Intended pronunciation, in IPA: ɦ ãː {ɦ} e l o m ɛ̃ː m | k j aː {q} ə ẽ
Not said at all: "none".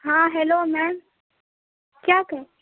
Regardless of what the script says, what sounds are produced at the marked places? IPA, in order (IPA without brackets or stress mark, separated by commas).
ɦ, k